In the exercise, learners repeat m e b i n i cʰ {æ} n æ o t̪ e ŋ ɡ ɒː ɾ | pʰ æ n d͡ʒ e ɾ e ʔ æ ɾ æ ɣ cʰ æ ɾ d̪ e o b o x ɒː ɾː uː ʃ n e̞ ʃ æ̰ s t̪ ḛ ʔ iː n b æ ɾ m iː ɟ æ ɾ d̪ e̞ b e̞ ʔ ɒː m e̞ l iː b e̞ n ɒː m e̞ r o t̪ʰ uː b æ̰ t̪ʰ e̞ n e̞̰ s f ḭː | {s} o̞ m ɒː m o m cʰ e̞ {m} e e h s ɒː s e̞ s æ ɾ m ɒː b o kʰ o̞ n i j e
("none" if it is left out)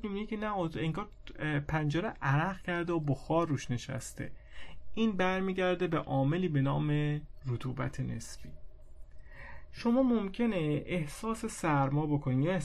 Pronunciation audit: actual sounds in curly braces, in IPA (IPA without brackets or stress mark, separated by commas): e, ʃ, n